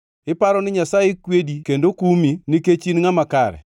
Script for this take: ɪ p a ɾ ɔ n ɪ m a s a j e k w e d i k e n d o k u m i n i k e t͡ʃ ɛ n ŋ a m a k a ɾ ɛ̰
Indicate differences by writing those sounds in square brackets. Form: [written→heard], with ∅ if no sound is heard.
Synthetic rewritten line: ɪ p a ɾ ɔ n ɪ [m→ɲ] a s a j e k w e d i k e n d o k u m i n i k e t͡ʃ [ɛ→i] n ŋ a m a k a ɾ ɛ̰

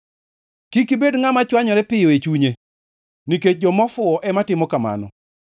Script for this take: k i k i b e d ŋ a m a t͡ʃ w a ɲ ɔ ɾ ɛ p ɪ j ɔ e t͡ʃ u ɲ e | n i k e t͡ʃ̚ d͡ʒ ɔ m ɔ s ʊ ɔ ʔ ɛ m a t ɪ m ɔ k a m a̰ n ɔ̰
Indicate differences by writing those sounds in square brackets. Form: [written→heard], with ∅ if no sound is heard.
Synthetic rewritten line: k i k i b e d ŋ a m a t͡ʃ w a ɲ ɔ ɾ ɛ p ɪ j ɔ e t͡ʃ u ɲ e | n i k e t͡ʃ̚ d͡ʒ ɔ m ɔ [s→f] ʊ ɔ ʔ ɛ m a t ɪ m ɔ k a m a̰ n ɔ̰

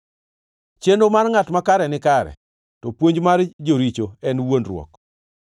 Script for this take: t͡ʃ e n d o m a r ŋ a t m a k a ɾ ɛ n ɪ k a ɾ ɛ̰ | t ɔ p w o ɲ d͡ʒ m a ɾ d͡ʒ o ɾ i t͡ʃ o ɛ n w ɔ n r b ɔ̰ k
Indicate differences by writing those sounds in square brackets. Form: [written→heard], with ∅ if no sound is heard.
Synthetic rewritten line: t͡ʃ e n d o m a r ŋ a t m a k a ɾ ɛ n ɪ k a ɾ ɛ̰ | t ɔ p w o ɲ d͡ʒ m a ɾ d͡ʒ o ɾ i t͡ʃ o ɛ n w [ɔ→o] n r [b→w] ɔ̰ k

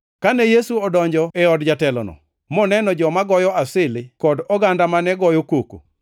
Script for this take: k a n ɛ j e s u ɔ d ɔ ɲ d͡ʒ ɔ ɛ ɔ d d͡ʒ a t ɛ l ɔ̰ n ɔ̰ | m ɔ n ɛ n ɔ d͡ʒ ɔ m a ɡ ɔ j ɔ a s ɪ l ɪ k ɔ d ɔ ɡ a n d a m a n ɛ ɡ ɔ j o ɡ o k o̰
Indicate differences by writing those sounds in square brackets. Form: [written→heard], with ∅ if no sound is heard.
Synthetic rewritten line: k a n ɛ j e s u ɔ d ɔ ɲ d͡ʒ ɔ ɛ ɔ d d͡ʒ a t ɛ l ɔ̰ n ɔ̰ | m ɔ n ɛ n ɔ d͡ʒ ɔ m a ɡ ɔ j ɔ a s ɪ l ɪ k ɔ d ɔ ɡ a n d a m a n ɛ ɡ ɔ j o [ɡ→k] o k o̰

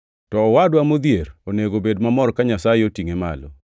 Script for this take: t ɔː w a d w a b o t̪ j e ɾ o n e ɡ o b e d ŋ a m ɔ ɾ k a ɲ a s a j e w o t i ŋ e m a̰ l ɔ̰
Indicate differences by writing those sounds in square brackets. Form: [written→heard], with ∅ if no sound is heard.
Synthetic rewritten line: t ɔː w a d w a [b→m] o [t̪→d̪] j e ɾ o n e ɡ o b e d [ŋ→m] a m ɔ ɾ k a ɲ a s a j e [w→∅] o t i ŋ e m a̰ l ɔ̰

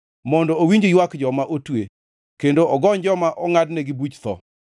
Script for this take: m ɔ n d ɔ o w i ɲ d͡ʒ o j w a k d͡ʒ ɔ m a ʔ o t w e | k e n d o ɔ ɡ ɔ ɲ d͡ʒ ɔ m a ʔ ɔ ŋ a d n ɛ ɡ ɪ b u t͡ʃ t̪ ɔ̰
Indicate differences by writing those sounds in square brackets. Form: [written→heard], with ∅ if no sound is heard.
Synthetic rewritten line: m ɔ n d ɔ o w i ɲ d͡ʒ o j w a k d͡ʒ ɔ m a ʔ o t w e | k e n d o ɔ ɡ ɔ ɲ d͡ʒ ɔ m a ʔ ɔ ŋ a d n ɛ ɡ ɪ b u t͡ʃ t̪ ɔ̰

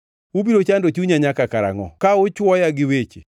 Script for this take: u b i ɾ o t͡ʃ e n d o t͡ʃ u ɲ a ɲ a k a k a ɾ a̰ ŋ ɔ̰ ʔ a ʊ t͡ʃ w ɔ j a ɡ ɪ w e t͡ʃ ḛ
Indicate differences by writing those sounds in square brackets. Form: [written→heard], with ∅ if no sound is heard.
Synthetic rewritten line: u b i ɾ o t͡ʃ [e→a] n d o t͡ʃ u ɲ a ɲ a k a k a ɾ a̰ ŋ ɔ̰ [ʔ→k] a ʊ t͡ʃ w ɔ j a ɡ ɪ w e t͡ʃ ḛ

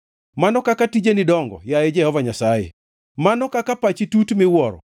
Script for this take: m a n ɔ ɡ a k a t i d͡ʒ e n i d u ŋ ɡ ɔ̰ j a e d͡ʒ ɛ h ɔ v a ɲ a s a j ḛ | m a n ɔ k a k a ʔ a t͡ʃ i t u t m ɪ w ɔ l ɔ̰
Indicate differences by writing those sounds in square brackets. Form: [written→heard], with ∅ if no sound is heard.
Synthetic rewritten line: m a n ɔ [ɡ→k] a k a t i d͡ʒ e n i d [u→ɔ] ŋ ɡ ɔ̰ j a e d͡ʒ ɛ h ɔ v a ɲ a s a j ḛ | m a n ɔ k a k a [ʔ→p] a t͡ʃ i t u t m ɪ w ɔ [l→ɾ] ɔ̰

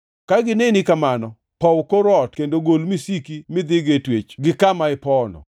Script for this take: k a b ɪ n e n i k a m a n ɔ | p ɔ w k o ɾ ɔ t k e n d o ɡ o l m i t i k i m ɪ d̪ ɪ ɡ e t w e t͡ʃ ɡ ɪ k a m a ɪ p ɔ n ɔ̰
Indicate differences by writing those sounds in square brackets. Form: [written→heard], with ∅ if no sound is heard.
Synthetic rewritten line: k a [b→ɡ] ɪ n e n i k a m a n ɔ | p ɔ w k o ɾ ɔ t k e n d o ɡ o l m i [t→s] i k i m ɪ d̪ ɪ ɡ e t w e t͡ʃ ɡ ɪ k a m a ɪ p ɔ n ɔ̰

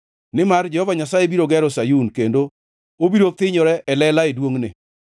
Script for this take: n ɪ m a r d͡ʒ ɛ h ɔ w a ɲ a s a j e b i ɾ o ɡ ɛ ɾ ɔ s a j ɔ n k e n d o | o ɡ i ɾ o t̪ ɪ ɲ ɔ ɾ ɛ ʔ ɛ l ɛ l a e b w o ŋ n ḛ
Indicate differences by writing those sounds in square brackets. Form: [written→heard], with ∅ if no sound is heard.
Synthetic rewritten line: n ɪ m a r d͡ʒ ɛ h ɔ [w→v] a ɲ a s a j e b i ɾ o ɡ ɛ ɾ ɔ s a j [ɔ→u] n k e n d o | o [ɡ→b] i ɾ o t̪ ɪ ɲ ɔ ɾ ɛ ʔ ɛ l ɛ l a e [b→d] w o ŋ n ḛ

